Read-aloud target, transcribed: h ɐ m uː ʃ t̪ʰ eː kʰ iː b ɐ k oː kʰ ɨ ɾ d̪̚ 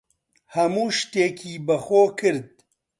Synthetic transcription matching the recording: h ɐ m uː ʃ t̪ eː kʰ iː b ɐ x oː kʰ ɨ ɾ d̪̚

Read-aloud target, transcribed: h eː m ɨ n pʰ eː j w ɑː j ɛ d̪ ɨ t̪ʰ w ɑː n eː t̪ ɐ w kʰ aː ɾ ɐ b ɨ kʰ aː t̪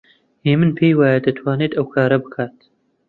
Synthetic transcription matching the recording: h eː m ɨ n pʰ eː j w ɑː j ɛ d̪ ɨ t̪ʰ w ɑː n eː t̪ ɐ w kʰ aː ɾ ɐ b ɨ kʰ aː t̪

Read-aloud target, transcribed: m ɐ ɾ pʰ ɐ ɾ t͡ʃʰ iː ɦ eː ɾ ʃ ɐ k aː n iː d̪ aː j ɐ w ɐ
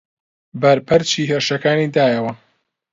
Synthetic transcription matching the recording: b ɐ ɾ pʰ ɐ ɾ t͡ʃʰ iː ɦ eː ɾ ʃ ɐ k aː n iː d̪ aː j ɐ w ɐ

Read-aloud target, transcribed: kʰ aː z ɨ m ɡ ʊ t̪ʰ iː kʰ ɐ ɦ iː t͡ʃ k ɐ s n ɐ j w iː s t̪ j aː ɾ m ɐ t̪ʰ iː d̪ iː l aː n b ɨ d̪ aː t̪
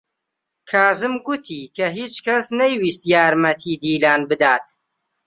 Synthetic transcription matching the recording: kʰ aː z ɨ m ɡ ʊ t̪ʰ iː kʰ ɐ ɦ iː t͡ʃ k ɐ s n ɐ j w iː s t̪ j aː ɾ m ɐ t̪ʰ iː d̪ iː l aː n b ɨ d̪ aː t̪

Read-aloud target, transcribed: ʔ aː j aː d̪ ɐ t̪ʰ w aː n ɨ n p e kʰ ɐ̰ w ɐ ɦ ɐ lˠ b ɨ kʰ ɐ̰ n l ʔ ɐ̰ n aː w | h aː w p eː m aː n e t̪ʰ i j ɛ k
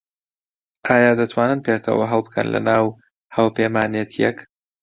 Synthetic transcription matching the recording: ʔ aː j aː d̪ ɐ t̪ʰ w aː n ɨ n p e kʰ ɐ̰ w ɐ ɦ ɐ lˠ b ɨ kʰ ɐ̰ n l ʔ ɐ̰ n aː w | h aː w p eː m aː n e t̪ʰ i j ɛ k

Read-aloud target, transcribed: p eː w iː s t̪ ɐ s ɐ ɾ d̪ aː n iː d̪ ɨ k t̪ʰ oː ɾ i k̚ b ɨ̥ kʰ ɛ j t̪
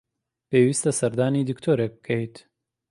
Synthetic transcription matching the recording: p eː w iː s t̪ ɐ s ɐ ɾ d̪ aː n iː d̪ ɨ k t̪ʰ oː ɾ e k̚ b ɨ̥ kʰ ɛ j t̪

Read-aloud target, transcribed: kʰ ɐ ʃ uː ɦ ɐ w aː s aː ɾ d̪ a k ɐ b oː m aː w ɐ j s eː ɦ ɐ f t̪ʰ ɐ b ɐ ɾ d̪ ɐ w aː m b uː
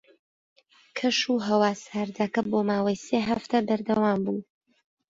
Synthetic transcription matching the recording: kʰ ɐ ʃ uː ɦ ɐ w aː s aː ɾ d̪ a k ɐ b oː m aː w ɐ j s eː ɦ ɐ f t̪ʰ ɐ b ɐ ɾ d̪ ɐ w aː m b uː

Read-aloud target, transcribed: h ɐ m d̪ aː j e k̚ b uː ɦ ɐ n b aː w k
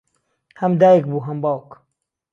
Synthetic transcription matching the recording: h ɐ m d̪ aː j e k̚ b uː ɦ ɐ m b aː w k

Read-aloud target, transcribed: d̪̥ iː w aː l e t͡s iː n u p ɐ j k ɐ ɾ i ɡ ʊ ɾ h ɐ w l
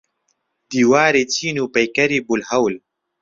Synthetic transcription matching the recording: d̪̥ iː w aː ɾ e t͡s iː n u p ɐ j k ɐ ɾ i b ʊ l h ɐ w l

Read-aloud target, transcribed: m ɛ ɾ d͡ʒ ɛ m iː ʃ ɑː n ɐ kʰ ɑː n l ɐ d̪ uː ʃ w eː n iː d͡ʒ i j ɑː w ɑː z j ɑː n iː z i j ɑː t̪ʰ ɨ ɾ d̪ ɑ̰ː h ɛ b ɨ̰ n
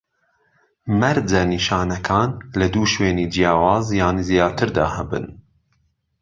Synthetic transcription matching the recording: m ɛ ɾ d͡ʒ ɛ n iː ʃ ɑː n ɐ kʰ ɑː n l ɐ d̪ uː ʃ w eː n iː d͡ʒ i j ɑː w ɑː z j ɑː n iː z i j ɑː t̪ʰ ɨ ɾ d̪ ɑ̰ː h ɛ b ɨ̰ n

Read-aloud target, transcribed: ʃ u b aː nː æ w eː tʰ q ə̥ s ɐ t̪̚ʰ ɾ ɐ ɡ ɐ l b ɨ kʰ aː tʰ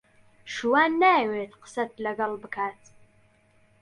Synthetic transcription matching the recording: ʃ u w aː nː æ w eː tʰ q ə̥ s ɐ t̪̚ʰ l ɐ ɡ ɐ l b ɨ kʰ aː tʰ

